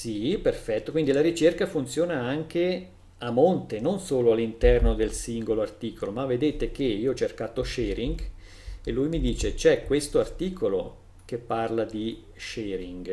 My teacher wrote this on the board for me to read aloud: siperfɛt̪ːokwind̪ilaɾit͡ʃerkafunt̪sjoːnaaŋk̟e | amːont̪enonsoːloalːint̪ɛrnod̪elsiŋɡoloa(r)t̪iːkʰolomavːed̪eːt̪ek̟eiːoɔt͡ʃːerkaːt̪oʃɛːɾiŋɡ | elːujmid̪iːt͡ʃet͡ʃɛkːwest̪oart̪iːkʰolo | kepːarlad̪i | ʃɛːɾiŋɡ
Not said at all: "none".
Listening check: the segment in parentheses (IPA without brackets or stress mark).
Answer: r